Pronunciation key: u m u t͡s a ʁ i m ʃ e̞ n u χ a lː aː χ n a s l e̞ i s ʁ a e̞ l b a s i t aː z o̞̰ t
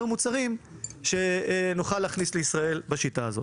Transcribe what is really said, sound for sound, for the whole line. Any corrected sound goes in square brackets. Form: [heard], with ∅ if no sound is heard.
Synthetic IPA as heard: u m u t͡s a ʁ i m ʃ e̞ n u χ a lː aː χ n [i] s l e̞ i s ʁ a e̞ l b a [ʃ] i t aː z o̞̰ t